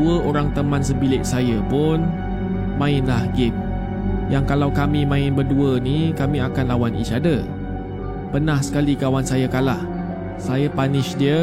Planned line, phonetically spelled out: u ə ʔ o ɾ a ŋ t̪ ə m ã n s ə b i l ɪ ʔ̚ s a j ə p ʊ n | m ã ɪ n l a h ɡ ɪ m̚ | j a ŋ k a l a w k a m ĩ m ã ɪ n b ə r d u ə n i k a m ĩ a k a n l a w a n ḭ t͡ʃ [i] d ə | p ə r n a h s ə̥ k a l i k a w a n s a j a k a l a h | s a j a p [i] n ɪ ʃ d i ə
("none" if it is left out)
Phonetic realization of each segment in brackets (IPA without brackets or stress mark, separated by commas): a, a